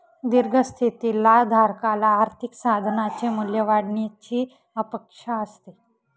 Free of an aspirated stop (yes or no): no